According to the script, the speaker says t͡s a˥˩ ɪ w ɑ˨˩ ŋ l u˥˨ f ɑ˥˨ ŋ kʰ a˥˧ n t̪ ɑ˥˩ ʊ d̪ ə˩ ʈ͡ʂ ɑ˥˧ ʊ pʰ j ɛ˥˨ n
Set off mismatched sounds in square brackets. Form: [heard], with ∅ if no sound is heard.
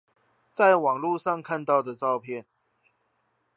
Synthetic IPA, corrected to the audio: t͡s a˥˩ ɪ w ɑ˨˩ ŋ l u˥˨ [ʂ] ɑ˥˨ ŋ kʰ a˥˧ n t̪ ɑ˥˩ ʊ d̪ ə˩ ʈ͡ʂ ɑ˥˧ ʊ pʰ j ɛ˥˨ n